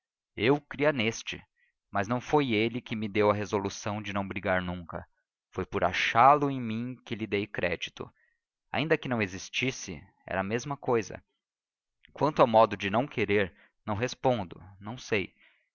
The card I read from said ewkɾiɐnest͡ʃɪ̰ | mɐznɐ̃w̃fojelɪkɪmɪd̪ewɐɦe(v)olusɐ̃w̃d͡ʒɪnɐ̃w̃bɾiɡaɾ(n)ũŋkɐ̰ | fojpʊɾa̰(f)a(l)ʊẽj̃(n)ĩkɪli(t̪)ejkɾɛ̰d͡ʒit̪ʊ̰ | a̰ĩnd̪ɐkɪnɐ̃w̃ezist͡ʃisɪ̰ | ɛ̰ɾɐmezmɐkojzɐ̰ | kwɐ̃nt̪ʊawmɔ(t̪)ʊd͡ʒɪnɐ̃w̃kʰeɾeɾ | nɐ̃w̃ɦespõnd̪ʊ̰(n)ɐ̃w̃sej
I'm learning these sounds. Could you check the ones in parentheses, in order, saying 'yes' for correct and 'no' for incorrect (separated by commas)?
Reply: no, yes, no, yes, no, no, no, yes